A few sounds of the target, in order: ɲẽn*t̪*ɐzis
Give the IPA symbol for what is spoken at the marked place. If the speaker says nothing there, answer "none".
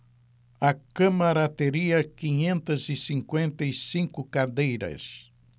t̪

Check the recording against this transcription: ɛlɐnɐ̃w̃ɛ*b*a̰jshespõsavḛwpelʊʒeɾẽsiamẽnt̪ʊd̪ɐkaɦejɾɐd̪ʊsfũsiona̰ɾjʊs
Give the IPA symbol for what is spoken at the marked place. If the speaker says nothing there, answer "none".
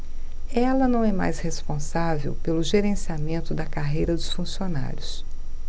m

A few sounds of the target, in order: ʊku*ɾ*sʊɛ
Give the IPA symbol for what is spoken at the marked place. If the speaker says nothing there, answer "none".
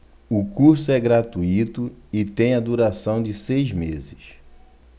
ɾ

